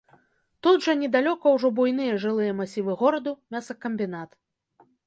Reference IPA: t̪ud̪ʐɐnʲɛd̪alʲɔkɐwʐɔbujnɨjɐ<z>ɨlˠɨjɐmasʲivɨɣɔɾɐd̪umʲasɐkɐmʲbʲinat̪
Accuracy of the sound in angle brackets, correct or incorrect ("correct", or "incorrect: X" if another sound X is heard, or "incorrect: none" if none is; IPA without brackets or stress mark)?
incorrect: ʐ